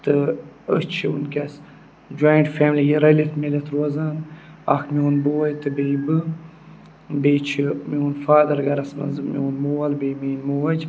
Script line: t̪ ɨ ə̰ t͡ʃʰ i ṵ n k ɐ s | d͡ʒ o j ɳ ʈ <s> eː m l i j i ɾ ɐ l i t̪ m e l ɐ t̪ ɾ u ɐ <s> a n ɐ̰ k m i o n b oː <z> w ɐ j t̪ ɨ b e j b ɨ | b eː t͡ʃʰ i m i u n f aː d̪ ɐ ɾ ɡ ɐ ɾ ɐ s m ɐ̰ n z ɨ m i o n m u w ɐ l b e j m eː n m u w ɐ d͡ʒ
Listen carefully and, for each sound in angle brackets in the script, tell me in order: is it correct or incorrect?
incorrect, incorrect, incorrect

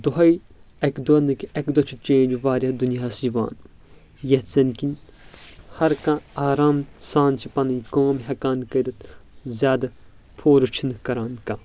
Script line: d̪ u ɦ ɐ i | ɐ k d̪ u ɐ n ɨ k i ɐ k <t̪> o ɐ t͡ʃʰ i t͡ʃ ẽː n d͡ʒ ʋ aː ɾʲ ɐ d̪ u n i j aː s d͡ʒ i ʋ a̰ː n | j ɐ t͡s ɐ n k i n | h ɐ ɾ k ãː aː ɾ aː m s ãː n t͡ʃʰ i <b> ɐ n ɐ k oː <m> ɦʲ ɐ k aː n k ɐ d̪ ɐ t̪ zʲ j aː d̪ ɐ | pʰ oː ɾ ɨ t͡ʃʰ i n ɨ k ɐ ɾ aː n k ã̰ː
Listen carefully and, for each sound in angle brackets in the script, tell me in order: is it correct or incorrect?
incorrect, incorrect, correct

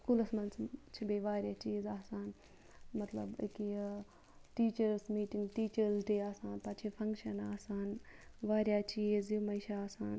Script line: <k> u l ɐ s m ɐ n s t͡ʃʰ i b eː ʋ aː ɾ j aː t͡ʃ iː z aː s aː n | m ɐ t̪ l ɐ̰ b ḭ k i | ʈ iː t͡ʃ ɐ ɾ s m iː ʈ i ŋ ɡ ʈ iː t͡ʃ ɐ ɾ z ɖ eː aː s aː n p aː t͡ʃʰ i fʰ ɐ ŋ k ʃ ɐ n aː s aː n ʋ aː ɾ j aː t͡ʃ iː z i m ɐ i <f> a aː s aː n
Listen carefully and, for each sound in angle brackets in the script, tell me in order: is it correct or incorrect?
correct, incorrect

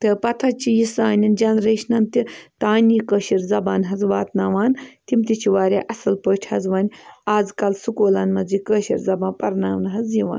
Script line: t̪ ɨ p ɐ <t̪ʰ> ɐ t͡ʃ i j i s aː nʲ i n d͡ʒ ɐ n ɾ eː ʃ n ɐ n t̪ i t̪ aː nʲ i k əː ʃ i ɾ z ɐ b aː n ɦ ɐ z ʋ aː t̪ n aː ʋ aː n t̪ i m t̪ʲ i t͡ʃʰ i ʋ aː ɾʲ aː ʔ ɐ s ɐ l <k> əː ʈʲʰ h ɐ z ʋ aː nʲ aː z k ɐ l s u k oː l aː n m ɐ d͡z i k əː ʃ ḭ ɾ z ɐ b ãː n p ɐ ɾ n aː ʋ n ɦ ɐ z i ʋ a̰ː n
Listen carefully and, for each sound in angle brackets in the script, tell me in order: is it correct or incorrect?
correct, incorrect

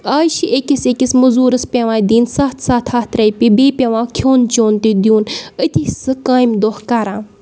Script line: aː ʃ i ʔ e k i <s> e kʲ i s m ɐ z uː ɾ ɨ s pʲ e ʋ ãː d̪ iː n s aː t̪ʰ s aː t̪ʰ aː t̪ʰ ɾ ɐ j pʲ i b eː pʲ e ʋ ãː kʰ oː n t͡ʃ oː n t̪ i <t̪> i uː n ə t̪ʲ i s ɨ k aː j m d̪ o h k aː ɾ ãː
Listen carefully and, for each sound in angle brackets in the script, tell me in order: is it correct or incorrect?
correct, incorrect

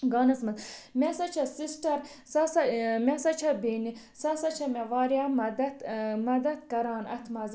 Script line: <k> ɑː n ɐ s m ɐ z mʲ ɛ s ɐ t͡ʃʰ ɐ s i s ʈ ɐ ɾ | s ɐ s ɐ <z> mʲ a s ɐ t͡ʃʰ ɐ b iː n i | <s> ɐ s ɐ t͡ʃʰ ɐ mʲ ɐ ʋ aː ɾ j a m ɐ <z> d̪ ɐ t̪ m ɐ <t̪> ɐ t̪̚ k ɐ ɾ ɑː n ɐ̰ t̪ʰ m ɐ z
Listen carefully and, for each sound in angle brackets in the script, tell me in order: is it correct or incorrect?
incorrect, incorrect, correct, incorrect, incorrect

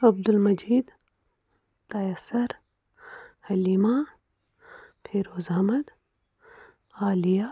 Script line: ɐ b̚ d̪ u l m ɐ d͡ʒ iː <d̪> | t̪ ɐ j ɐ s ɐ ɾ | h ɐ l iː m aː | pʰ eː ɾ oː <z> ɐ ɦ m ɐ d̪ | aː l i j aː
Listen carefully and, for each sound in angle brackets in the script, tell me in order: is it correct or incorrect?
correct, correct

